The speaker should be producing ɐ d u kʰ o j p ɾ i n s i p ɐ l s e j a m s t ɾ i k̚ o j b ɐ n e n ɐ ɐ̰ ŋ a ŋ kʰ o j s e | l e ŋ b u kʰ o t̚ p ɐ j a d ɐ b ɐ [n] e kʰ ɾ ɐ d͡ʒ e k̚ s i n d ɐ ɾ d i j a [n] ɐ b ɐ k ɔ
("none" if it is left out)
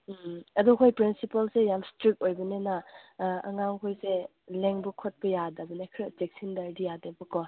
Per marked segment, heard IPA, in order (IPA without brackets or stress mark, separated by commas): n, d